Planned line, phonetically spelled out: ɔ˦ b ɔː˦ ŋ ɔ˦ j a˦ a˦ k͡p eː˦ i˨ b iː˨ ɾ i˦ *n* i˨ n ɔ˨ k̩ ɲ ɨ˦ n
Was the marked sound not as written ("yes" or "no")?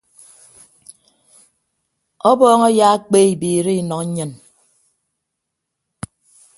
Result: yes